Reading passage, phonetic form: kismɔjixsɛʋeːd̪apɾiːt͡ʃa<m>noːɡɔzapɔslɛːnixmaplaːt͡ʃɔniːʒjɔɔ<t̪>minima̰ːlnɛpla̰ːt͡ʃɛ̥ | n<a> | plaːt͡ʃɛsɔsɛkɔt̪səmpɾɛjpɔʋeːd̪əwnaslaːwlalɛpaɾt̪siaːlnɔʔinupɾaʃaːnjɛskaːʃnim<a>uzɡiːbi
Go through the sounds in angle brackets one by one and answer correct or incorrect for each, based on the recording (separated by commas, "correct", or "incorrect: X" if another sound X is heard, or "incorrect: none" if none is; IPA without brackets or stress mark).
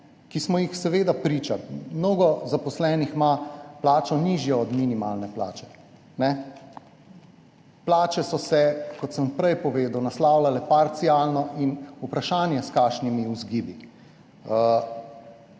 correct, incorrect: d̪, incorrect: ɛ, incorrect: i